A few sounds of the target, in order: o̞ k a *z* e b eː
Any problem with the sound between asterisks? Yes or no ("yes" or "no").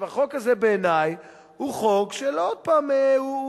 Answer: no